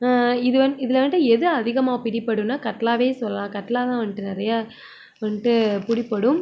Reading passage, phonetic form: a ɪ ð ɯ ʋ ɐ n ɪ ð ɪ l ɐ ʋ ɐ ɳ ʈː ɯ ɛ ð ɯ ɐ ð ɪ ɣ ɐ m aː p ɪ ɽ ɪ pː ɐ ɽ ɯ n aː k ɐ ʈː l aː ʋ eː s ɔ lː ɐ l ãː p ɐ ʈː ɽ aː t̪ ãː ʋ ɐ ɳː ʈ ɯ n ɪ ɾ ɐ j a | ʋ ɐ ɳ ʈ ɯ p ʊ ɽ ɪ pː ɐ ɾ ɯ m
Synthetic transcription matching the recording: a ɪ ð ɯ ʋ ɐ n ɪ ð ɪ l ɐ ʋ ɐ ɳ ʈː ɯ ɛ ð ɯ ɐ ð ɪ ɣ ɐ m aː p ɪ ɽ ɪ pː ɐ ɽ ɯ n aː k ɐ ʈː l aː ʋ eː s ɔ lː ɐ l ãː k ɐ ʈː l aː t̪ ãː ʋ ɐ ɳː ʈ ɯ n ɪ ɾ ɐ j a | ʋ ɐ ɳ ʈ ɯ p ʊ ɽ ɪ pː ɐ ɽ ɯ m